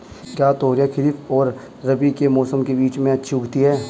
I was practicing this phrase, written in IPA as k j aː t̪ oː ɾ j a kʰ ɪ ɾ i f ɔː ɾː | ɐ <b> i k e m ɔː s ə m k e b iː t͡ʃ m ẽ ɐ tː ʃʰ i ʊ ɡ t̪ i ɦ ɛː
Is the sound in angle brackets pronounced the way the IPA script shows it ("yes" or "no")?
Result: yes